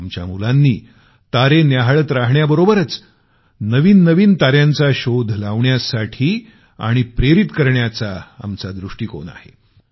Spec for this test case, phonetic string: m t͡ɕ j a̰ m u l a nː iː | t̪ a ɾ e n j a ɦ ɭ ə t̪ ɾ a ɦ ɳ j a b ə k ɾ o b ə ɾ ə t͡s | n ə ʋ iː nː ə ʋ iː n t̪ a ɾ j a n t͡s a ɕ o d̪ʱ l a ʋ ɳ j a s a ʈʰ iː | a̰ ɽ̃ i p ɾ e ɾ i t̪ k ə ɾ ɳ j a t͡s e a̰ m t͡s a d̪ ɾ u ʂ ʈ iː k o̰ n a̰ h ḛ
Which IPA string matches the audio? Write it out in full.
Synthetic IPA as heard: m t͡ɕ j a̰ m u l a nː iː | t̪ a ɾ e n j a ɦ ɭ ə t̪ ɾ a ɦ ɳ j a b ə ɾ o b ə ɾ ə t͡s | n ə ʋ iː nː ə ʋ iː n t̪ a ɾ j a n t͡s a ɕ o d̪ʱ l a ʋ ɳ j a s a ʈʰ iː | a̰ ɽ̃ i p ɾ e ɾ i t̪ k ə ɾ ɳ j a t͡s a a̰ m t͡s a d̪ ɾ u ʂ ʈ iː k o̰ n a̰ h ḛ